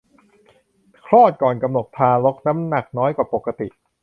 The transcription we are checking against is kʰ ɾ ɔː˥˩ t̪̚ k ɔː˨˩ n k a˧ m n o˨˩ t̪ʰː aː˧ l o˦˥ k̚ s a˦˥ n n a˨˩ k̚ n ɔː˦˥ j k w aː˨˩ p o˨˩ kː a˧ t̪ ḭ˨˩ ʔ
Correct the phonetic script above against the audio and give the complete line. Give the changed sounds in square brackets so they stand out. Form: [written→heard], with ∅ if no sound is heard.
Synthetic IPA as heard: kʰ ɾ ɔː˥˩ t̪̚ k ɔː˨˩ n k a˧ m n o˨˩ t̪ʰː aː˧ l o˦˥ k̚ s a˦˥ [n→m] n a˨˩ k̚ n ɔː˦˥ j k w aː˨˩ p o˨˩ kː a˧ t̪ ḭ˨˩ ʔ